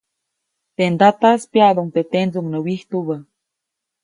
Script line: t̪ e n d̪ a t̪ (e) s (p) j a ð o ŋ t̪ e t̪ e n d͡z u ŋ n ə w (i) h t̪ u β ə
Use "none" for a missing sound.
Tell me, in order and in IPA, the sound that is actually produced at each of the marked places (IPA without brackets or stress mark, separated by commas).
a, p, i